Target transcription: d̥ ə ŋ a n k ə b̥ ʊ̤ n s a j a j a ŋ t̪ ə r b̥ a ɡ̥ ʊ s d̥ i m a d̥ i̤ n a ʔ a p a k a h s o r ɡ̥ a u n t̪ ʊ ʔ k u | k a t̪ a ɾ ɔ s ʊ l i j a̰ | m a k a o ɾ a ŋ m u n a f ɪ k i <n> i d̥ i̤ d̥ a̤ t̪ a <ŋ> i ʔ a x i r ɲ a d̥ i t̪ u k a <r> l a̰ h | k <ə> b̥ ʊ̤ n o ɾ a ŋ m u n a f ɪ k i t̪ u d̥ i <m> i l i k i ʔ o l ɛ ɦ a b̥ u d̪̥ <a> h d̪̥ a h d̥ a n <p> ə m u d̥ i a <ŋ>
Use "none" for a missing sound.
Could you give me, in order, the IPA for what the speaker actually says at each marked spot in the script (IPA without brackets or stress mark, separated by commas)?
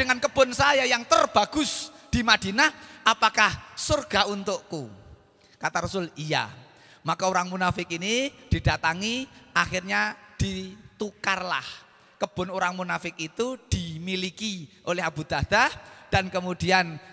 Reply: n, ŋ, r, ə, m, a, k, n